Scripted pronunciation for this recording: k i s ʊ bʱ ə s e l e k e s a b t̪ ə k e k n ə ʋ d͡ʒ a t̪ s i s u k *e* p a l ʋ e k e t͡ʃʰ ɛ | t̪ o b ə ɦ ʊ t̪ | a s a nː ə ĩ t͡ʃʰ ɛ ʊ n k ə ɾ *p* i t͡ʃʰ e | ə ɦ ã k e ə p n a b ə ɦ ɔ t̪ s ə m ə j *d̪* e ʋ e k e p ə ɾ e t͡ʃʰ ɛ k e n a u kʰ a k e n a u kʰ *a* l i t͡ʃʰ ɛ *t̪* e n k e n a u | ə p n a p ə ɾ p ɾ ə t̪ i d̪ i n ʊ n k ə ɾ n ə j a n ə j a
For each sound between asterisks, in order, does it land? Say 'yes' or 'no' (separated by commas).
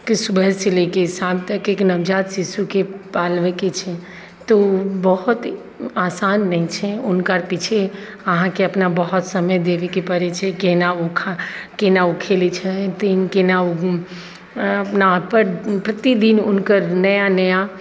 yes, yes, yes, no, yes